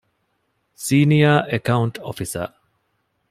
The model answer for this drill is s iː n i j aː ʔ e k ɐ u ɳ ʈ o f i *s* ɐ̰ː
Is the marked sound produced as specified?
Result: yes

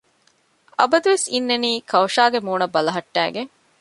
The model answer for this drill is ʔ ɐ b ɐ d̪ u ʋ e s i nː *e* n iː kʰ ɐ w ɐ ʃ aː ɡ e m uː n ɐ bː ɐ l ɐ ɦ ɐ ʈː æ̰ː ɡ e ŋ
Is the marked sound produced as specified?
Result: yes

